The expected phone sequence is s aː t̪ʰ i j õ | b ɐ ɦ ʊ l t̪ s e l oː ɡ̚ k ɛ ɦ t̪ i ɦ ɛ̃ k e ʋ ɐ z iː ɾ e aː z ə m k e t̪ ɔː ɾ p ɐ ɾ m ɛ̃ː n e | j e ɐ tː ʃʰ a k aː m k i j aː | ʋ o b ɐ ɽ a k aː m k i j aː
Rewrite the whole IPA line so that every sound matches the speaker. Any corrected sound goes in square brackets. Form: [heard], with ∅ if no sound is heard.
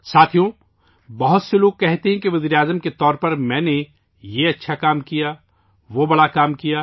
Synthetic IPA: s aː t̪ʰ i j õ | b ɐ ɦ ʊ [∅] t̪ s e l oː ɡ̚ k ɛ ɦ t̪ [e] ɦ ɛ̃ k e ʋ ɐ z iː ɾ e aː z ə m k e t̪ ɔː ɾ p ɐ ɾ m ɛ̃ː n e | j e ɐ tː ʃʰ a k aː m k i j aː | ʋ o b ɐ ɽ a k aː m k i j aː